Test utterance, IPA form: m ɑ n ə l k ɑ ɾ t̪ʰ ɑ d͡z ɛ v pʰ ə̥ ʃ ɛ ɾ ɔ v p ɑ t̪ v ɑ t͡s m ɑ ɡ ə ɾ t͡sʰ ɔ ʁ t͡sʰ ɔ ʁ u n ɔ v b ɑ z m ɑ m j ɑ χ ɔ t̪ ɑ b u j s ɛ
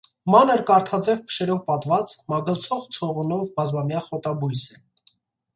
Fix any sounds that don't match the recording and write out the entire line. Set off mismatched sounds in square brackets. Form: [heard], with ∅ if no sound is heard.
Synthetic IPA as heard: m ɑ n ə [ɾ] k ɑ ɾ t̪ʰ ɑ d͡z ɛ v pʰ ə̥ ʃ ɛ ɾ ɔ v p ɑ t̪ v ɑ t͡s m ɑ ɡ ə [l] t͡sʰ ɔ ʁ t͡sʰ ɔ ʁ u n ɔ v b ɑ z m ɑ m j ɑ χ ɔ t̪ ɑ b u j s ɛ